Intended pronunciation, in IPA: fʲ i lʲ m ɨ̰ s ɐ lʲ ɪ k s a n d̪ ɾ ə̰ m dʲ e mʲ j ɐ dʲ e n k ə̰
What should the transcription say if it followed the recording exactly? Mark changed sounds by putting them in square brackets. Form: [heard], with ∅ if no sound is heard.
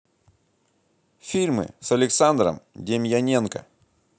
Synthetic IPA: fʲ i lʲ m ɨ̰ s ɐ lʲ ɪ k s a n d̪ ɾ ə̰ m dʲ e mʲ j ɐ [nʲ] e n k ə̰